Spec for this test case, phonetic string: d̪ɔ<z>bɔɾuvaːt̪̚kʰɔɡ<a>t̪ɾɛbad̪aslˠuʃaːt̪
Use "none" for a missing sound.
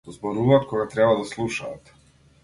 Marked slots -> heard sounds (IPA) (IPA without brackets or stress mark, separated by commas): z, a